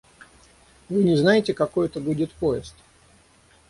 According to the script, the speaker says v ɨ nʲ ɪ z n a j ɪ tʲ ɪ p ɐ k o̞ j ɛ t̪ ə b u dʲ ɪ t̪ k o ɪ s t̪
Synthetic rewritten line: v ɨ nʲ ɪ z n a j ɪ tʲ ɪ k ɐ k o̞ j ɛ t̪ ə b u dʲ ɪ t̪ p o ɪ s t̪

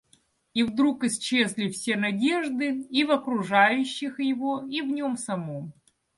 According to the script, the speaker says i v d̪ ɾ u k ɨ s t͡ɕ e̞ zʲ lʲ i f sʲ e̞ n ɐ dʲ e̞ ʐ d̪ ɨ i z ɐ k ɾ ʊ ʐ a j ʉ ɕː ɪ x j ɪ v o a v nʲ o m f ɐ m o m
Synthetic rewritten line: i v d̪ ɾ u k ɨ s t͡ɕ e̞ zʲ lʲ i f sʲ e̞ n ɐ dʲ e̞ ʐ d̪ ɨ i v ɐ k ɾ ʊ ʐ a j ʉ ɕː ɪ x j ɪ v o i v nʲ o m s ɐ m o m

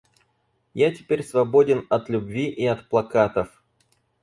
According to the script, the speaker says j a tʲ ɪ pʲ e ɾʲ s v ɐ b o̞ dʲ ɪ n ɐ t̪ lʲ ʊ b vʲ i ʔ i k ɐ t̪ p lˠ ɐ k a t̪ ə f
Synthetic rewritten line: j a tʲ ɪ pʲ e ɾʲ s v ɐ b o̞ dʲ ɪ n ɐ t̪ lʲ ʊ b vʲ i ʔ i ɐ t̪ p lˠ ɐ k a t̪ ə f

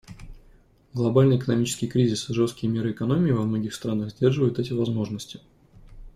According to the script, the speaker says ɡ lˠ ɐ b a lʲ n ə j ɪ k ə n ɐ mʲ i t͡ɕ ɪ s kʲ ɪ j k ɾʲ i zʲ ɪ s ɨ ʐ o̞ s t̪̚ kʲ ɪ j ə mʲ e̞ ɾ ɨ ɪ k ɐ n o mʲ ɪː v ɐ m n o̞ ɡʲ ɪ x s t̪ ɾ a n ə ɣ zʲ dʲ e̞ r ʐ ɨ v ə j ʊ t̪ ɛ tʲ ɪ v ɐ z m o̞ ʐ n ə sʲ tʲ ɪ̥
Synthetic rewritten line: ɡ lˠ ɐ b a lʲ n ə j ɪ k ə n ɐ mʲ i t͡ɕ ɪ s kʲ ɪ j k ɾʲ i zʲ ɪ s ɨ ʐ o̞ s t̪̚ kʲ ɪ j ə mʲ e̞ ɾ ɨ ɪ k ɐ n o mʲ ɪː v ɐ m n o̞ ɡʲ ɪ x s t̪ ɾ a n ə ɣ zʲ dʲ e̞ r ʐ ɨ v ə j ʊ t̪ ɛ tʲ ɪ v ɐ z m o̞ ʐ n ə sʲ tʲ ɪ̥

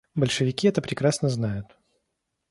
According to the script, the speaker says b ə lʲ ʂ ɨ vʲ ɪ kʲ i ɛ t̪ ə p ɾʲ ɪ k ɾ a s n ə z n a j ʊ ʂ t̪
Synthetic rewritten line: b ə lʲ ʂ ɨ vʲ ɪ kʲ i ɛ t̪ ə p ɾʲ ɪ k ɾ a s n ə z n a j ʊ t̪

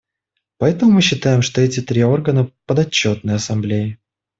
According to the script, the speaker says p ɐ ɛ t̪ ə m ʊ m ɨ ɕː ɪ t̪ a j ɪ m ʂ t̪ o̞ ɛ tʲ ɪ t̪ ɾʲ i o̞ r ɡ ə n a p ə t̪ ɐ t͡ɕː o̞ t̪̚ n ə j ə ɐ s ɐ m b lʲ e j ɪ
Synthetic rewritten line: p ɐ ɛ t̪ ə m ʊ m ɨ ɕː ɪ t̪ a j ɪ m ʂ t̪ o̞ ɛ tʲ ɪ t̪ ɾʲ i o̞ r ɡ ə n ə p ə d̪ ɐ t͡ɕː o̞ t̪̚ n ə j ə ɐ s ɐ m b lʲ e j ɪ

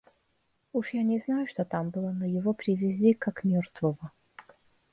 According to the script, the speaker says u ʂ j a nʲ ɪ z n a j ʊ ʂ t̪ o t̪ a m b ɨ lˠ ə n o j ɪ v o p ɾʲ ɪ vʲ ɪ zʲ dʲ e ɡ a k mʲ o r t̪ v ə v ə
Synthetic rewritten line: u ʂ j a nʲ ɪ z n a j ʊ ʂ t̪ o t̪ a m b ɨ lˠ ə n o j ɪ v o p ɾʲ ɪ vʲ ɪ zʲ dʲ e k a k mʲ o r t̪ v ə v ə

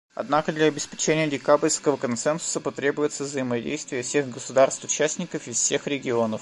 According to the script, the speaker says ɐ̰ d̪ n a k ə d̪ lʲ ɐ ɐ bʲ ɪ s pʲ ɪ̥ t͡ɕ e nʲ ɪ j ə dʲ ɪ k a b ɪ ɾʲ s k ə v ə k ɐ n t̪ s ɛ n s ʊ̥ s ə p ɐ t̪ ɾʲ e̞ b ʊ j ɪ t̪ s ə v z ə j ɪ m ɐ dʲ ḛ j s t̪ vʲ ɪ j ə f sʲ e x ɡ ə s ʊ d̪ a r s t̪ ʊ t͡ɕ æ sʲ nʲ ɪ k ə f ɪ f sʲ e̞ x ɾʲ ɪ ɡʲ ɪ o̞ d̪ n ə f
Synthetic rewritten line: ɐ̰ d̪ n a k ə d̪ lʲ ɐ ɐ bʲ ɪ s pʲ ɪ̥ t͡ɕ e nʲ ɪ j ə dʲ ɪ k a b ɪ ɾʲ s k ə v ə k ɐ n t̪ s ɛ n s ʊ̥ s ə p ɐ t̪ ɾʲ e̞ b ʊ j ɪ t̪ s ə v z ə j ɪ m ɐ dʲ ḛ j s t̪ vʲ ɪ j ə f sʲ e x ɡ ə s ʊ d̪ a r s t̪ ʊ t͡ɕ æ sʲ nʲ ɪ k ə f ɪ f sʲ e̞ x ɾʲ ɪ ɡʲ ɪ o̞ n ə f

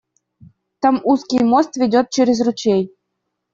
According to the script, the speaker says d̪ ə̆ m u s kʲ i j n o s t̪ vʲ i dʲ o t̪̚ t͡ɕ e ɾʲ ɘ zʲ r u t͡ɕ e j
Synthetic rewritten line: t̪ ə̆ m u s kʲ i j m o s t̪ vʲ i dʲ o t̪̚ t͡ɕ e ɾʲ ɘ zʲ r u t͡ɕ e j

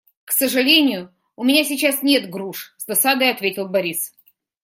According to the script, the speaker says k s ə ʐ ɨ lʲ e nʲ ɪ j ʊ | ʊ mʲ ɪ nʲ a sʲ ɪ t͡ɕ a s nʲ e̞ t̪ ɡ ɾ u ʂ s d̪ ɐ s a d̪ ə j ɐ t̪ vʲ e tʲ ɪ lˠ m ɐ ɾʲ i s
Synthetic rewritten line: k s ə ʐ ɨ lʲ e nʲ ɪ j ʊ | ʊ mʲ ɪ nʲ a sʲ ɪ t͡ɕ a s nʲ e̞ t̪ ɡ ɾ u ʂ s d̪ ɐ s a d̪ ə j ɐ t̪ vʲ e tʲ ɪ lˠ b ɐ ɾʲ i s

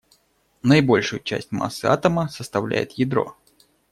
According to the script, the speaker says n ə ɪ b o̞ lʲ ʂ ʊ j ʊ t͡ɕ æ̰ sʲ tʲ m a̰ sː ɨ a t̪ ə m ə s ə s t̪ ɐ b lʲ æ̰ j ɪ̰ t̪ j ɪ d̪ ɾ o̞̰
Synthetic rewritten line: n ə ɪ b o̞ lʲ ʂ ʊ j ʊ t͡ɕ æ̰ sʲ tʲ m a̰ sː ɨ a t̪ ə m ə s ə s t̪ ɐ v lʲ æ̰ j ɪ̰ t̪ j ɪ d̪ ɾ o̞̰

